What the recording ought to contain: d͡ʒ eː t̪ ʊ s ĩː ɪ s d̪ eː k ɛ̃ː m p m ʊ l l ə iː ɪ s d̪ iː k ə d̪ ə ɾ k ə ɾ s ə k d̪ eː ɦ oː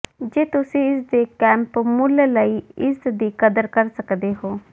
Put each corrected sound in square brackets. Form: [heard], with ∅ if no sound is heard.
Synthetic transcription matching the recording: d͡ʒ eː t̪ ʊ s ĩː ɪ s d̪ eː k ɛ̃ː m p m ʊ l l ə iː ɪ s d̪ iː k ə d̪ ə ɾ k ə ɾ s ə k d̪ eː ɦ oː